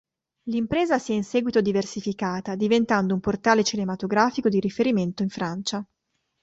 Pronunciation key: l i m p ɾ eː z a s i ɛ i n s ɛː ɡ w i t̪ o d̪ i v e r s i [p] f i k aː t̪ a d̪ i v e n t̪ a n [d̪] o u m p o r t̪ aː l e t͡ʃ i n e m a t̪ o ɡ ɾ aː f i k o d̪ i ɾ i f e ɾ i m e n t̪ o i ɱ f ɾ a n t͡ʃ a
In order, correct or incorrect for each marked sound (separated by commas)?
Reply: incorrect, correct